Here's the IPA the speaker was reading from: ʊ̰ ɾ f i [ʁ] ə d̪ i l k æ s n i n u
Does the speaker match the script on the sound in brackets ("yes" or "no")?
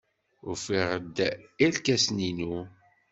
yes